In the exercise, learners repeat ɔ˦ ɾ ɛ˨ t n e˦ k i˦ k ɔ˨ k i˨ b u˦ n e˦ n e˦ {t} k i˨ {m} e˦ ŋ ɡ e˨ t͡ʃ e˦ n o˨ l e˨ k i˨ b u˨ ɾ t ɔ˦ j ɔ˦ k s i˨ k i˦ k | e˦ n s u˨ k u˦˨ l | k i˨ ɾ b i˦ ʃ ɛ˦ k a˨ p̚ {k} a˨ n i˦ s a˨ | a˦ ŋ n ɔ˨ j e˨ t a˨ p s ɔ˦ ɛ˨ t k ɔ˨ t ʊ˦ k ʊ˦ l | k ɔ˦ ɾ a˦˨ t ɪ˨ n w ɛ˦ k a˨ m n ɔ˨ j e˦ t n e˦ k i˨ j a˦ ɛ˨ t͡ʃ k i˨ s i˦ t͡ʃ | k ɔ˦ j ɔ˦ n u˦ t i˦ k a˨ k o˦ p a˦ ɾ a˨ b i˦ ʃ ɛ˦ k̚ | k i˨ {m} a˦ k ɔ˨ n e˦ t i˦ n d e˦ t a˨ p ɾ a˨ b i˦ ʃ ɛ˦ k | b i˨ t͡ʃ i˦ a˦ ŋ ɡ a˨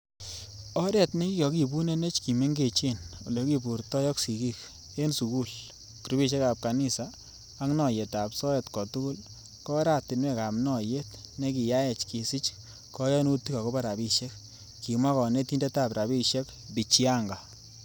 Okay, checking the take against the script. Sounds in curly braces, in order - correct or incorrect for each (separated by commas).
incorrect, correct, correct, correct